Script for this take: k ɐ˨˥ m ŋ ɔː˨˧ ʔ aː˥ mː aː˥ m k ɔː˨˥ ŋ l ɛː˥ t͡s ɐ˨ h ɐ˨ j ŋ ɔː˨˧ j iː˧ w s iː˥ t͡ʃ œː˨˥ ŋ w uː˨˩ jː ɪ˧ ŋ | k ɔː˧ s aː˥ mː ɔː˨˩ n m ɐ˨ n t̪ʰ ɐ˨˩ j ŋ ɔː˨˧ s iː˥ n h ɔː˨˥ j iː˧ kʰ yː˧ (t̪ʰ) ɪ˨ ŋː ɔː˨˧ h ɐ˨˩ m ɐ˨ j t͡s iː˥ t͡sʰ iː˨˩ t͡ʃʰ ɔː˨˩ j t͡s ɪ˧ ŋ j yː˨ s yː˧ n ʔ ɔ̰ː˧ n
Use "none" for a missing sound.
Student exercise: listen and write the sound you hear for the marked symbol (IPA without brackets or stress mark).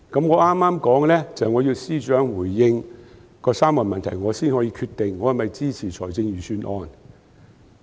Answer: t̪